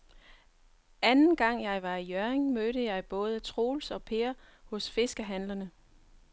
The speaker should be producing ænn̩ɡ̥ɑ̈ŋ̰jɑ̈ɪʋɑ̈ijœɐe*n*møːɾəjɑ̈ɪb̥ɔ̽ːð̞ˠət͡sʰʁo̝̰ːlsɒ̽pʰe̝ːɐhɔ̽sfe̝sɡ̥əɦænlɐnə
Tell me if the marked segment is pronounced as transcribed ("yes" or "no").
no